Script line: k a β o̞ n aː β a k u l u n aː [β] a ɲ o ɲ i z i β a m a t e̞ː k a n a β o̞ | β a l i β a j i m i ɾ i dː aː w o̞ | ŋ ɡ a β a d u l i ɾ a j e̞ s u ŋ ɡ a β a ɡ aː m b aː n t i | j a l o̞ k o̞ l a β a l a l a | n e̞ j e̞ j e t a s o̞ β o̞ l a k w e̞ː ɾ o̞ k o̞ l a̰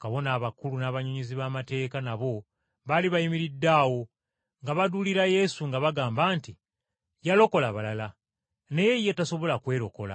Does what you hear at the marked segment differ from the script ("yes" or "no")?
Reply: no